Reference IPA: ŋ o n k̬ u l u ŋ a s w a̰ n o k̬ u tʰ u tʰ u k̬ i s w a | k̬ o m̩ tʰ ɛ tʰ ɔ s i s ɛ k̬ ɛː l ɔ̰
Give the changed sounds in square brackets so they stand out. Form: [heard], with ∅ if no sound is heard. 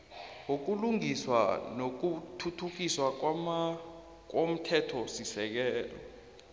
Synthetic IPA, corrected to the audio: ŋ o [∅] k̬ u l u ŋ [i] s w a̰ n o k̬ u tʰ u tʰ u k̬ i s w a | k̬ o m̩ tʰ ɛ tʰ ɔ s i s ɛ k̬ ɛː l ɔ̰